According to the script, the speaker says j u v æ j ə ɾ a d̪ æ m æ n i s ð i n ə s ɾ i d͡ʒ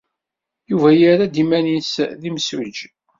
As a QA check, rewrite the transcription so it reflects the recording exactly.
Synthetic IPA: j u v æ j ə ɾ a d̪ i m æ n i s ð i m ə s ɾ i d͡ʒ